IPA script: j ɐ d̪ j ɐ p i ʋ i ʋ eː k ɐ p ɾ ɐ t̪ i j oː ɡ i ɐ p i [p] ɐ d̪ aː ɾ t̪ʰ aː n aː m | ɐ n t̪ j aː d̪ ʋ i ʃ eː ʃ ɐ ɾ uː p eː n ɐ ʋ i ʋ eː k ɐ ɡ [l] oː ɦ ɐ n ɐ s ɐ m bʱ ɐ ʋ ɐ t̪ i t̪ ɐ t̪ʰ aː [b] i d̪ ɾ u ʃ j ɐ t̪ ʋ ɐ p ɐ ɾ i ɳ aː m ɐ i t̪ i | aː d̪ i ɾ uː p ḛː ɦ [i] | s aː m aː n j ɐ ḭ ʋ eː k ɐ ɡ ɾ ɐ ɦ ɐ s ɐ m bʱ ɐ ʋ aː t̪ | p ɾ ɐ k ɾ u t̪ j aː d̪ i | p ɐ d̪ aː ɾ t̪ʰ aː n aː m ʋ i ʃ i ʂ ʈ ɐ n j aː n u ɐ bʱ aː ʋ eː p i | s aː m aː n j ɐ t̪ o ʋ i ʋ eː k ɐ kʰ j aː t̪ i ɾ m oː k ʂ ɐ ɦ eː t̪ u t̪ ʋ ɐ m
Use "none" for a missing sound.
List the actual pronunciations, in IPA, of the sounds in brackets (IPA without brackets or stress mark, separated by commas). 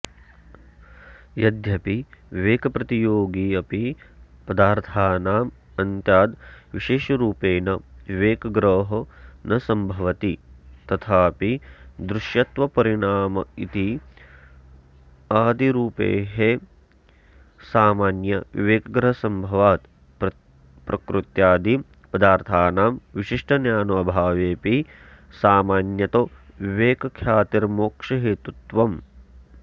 p, ɾ, p, e